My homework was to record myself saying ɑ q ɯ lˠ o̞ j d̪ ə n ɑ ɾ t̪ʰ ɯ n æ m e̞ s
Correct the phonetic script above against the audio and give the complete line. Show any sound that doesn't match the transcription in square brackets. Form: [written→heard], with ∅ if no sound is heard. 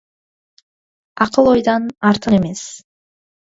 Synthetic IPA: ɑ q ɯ lˠ o̞ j d̪ [ə→ɑ] n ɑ ɾ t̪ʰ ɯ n [æ→e] m e̞ s

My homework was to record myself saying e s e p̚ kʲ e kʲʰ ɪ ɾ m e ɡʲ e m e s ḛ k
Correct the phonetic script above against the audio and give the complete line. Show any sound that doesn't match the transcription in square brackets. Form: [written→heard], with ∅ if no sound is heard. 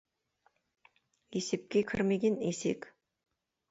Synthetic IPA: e s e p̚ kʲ e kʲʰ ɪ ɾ m e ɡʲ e [m→n] e s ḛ k

